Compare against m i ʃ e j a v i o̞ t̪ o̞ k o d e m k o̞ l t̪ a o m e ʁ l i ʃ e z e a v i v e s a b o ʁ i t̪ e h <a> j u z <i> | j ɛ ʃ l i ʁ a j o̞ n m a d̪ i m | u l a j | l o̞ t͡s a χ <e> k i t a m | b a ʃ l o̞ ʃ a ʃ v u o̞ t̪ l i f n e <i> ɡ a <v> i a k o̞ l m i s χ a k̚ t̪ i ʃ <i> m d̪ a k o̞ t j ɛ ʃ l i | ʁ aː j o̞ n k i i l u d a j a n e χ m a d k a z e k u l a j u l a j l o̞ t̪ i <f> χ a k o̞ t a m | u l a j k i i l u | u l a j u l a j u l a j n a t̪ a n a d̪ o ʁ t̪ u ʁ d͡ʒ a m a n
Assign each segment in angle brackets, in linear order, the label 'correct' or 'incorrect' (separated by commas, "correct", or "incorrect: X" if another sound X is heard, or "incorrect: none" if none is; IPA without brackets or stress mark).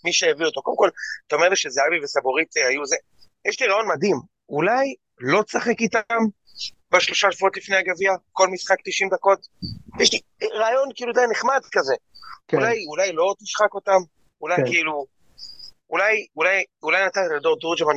correct, incorrect: e, correct, incorrect: a, correct, correct, incorrect: ʃ